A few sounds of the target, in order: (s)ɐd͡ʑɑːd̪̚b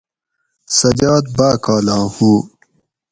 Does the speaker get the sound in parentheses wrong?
no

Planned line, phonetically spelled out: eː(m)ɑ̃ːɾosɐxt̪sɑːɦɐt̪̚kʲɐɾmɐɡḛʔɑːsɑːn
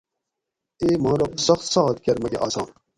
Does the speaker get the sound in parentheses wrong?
no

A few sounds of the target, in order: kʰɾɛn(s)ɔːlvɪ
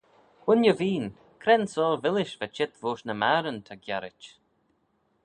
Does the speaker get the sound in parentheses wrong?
no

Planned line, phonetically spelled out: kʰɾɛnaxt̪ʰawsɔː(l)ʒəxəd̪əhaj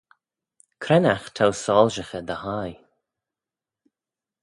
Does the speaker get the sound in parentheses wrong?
no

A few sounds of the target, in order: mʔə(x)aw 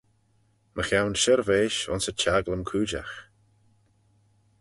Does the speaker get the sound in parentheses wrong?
no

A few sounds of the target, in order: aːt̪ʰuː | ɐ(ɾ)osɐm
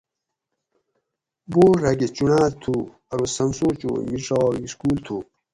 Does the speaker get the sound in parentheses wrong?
no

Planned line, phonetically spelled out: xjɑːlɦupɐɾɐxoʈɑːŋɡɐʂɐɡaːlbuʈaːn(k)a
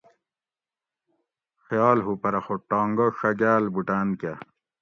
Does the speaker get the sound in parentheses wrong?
no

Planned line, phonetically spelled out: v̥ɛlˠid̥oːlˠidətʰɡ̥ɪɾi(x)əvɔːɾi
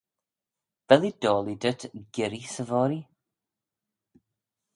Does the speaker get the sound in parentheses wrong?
yes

